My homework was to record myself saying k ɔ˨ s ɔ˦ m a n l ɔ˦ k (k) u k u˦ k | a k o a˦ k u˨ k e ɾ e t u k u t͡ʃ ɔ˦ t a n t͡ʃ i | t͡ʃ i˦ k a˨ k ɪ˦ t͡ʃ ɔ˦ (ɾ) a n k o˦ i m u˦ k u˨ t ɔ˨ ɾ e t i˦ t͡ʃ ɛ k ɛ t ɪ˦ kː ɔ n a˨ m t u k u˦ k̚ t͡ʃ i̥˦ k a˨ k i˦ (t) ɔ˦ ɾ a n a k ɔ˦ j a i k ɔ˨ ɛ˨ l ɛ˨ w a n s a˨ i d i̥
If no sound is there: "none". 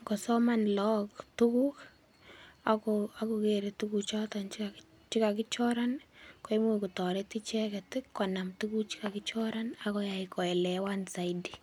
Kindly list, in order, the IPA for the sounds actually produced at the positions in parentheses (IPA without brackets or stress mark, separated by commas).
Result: t, ɾ, t͡ʃ